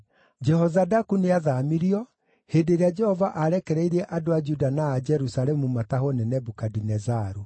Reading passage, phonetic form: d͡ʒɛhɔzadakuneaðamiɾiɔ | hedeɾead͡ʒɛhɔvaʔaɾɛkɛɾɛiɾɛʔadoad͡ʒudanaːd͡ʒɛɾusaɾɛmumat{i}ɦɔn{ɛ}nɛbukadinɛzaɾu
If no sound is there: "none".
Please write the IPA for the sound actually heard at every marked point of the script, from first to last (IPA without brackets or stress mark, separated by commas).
a, ɛ